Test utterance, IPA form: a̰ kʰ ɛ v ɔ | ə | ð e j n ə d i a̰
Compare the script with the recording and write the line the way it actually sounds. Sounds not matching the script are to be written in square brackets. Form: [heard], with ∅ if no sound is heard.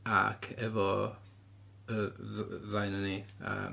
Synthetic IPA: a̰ kʰ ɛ v ɔ | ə | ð [a] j n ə [n] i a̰

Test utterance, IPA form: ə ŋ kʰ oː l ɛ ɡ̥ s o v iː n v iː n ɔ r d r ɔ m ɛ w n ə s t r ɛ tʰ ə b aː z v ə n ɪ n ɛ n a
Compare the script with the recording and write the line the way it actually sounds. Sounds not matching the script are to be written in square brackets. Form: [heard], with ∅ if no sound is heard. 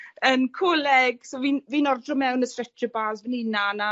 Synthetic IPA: ə [n] kʰ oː l ɛ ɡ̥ s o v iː n v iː n ɔ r d r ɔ m ɛ w n ə s t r ɛ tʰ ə b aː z v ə n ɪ n [a] n a

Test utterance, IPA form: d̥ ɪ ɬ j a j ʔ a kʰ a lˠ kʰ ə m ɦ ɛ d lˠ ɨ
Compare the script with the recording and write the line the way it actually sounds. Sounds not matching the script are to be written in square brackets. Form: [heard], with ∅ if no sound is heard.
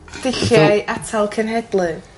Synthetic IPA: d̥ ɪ ɬ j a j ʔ a [tʰ] a lˠ kʰ ə [n] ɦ ɛ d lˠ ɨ

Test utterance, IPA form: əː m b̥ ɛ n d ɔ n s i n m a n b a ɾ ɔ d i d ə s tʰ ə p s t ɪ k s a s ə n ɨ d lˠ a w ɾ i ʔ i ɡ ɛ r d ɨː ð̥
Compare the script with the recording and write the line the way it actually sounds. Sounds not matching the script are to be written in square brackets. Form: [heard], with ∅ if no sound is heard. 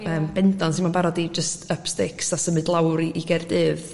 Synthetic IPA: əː m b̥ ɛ n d ɔ n s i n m a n b a ɾ ɔ d i [d͡ʒ] ə s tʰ ə p s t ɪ k s a s ə [m] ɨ d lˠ a w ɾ i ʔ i ɡ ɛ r d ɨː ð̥

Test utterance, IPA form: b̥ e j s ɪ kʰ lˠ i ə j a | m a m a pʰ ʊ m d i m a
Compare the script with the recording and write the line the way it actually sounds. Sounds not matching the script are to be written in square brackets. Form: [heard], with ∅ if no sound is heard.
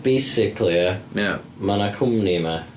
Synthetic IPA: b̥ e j s ɪ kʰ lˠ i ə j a | m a [n] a [kʰ] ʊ m [n] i m a

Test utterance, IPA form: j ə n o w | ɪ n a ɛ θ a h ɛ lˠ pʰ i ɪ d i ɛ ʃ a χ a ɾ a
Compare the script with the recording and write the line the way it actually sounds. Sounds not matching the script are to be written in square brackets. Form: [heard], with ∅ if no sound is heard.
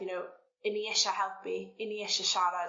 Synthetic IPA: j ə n o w | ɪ n [i] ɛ [ʃ] a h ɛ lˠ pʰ i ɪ [n] i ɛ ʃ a [ʃ] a ɾ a

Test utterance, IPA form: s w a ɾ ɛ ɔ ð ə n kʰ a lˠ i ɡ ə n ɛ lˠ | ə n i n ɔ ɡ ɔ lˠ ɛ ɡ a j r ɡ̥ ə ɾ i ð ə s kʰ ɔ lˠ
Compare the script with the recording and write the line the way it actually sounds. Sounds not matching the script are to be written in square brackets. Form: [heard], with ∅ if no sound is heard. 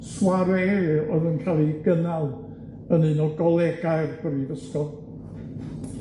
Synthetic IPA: s w a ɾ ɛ ɔ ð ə n kʰ a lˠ i ɡ ə n [a] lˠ | ə n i n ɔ ɡ ɔ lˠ ɛ ɡ a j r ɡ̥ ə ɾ i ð ə s [k] ɔ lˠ

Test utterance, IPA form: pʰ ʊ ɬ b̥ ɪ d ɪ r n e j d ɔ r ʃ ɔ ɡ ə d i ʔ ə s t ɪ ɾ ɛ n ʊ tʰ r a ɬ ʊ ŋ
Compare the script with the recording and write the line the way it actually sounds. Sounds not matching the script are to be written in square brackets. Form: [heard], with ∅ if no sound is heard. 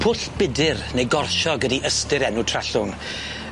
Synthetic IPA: pʰ ʊ ɬ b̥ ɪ d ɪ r n e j [ɡ] ɔ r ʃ ɔ ɡ ə d i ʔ ə s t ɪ ɾ ɛ n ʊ tʰ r a ɬ ʊ ŋ

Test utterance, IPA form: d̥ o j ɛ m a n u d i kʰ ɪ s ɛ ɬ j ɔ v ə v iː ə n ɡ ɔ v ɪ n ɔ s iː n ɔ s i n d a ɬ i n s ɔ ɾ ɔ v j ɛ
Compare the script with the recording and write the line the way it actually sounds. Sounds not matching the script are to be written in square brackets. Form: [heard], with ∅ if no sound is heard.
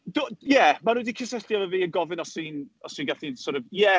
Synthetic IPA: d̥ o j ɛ m a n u d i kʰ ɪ s ɛ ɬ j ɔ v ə v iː ə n ɡ ɔ v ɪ n ɔ s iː n ɔ s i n [ɡ] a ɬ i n s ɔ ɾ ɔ v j ɛ

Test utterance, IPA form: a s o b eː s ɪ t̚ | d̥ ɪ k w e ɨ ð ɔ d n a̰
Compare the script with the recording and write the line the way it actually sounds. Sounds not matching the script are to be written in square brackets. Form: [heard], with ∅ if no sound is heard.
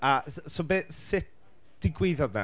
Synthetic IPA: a s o b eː s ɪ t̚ | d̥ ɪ [ɡ] w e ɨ ð ɔ d n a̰

